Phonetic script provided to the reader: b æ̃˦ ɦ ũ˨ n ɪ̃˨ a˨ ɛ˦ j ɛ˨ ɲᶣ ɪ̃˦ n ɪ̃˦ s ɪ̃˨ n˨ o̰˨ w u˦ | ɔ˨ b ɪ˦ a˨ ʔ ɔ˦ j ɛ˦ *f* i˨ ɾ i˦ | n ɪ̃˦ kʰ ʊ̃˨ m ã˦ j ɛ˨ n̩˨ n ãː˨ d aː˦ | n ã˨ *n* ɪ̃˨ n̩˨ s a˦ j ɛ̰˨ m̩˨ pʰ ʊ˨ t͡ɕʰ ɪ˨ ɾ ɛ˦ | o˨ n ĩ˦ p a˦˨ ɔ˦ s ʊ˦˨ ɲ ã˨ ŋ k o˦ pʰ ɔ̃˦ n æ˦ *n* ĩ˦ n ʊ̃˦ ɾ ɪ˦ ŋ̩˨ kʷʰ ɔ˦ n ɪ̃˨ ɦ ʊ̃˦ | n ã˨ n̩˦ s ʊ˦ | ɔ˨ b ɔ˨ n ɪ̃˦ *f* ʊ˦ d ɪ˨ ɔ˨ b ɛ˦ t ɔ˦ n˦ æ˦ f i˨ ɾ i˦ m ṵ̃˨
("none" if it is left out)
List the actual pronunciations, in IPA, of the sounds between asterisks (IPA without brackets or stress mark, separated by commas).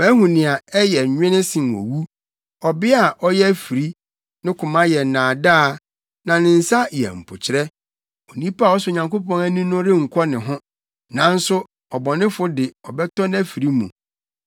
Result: f, n, n, f